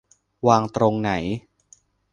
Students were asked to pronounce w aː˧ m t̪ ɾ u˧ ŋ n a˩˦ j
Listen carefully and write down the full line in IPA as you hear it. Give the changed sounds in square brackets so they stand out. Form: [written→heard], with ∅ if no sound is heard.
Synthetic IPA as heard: w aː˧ [m→ŋ] t̪ ɾ [u˧→o˧] ŋ n a˩˦ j